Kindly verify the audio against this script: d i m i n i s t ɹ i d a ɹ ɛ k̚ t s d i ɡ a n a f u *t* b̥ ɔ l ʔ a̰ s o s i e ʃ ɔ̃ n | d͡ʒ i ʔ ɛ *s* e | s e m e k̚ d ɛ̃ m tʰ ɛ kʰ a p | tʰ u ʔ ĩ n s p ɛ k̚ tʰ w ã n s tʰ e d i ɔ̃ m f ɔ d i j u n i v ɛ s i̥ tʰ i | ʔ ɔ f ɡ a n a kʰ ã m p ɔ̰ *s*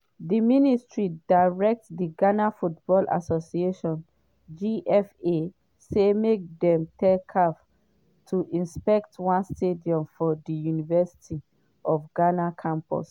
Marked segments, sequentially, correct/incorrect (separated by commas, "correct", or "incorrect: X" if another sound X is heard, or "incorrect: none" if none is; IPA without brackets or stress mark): correct, incorrect: f, correct